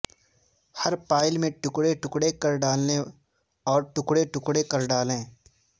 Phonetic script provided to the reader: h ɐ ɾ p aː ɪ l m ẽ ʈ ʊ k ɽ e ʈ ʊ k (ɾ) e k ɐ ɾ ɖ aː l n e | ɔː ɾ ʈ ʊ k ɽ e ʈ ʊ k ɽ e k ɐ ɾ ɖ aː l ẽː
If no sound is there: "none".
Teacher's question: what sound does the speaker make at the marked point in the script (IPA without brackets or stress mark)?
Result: ɽ